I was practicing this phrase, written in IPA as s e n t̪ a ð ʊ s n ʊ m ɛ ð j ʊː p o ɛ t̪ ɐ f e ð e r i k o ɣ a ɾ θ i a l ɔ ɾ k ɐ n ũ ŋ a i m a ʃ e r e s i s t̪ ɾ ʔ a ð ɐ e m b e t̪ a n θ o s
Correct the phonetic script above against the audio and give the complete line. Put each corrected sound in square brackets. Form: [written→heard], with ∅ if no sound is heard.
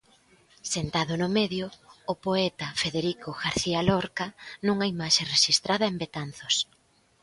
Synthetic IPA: s e n t̪ a ð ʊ [s→∅] n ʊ m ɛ ð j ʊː p o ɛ t̪ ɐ f e ð e [r→ɾ] i k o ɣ a ɾ θ i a l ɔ ɾ k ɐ n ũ ŋ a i m a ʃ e r e [s→ʃ] i s t̪ ɾ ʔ a ð ɐ e m b e t̪ a n θ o s